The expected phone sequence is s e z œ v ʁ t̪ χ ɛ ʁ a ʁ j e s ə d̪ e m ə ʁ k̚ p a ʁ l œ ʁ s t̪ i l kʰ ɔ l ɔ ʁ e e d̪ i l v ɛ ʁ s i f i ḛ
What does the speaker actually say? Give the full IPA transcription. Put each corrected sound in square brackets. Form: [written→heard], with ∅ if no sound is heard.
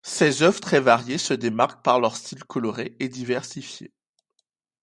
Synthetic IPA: s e z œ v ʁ t̪ χ ɛ [ʁ→v] a ʁ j e s ə d̪ e m [ə→a] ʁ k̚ p a ʁ l œ ʁ s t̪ i l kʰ ɔ l ɔ ʁ e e d̪ i [l→∅] v ɛ ʁ s i f [i→j] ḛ